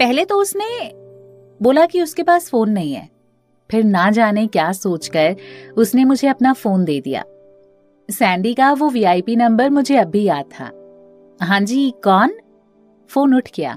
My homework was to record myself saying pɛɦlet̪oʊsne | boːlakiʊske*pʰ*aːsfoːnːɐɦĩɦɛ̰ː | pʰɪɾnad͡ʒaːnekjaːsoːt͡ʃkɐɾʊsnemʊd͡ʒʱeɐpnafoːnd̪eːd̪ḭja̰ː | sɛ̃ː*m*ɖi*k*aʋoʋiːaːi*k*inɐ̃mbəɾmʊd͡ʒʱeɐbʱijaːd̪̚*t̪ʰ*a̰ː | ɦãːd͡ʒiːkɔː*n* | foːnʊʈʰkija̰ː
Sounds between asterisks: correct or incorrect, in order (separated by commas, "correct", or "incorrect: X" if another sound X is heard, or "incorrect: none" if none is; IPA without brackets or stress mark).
incorrect: p, incorrect: ɳ, correct, incorrect: p, correct, correct